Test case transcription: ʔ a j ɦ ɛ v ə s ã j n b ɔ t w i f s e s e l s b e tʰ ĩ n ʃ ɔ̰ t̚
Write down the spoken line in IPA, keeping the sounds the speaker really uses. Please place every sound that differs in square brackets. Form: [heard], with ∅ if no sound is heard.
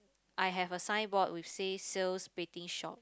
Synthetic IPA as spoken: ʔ a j ɦ ɛ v ə s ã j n b ɔ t w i f s e s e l s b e [t] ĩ [ŋ] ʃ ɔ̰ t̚